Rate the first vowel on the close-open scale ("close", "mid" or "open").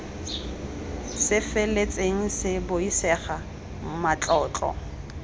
close